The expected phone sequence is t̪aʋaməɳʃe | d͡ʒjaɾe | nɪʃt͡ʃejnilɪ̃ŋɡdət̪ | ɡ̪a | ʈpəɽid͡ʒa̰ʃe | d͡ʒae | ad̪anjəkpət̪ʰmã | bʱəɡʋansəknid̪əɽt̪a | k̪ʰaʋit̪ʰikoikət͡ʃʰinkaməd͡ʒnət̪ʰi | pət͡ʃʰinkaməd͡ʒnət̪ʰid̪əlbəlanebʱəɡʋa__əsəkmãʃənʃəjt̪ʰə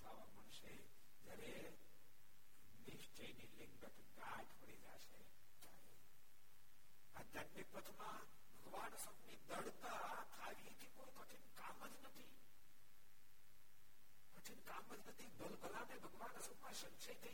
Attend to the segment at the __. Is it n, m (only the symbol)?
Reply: n